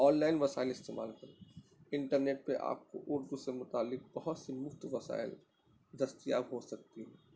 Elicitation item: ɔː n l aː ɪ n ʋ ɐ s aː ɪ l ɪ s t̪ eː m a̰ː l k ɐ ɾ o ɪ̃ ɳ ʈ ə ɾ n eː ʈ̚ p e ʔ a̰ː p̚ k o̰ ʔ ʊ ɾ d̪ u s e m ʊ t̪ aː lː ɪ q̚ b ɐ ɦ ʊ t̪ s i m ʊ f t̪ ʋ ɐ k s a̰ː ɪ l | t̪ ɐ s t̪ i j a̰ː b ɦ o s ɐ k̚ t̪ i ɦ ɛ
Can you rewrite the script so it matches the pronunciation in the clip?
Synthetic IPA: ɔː n l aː ɪ n ʋ ɐ s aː ɪ l ɪ s t̪ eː m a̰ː l k ɐ ɾ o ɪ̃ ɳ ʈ ə ɾ n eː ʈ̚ p e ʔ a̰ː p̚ k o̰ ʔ ʊ ɾ d̪ u s e m ʊ t̪ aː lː ɪ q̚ b ɐ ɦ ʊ t̪ s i m ʊ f t̪ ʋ ɐ s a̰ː ɪ l | d̪ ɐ s t̪ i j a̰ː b ɦ o s ɐ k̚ t̪ i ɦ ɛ